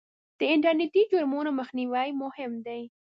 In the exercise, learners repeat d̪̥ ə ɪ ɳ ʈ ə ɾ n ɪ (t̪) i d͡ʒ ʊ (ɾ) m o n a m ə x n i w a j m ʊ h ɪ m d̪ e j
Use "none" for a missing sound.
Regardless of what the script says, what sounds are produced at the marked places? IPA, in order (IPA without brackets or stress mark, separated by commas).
t̪, ɾ